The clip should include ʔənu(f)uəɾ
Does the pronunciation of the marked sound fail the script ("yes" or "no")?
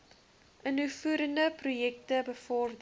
no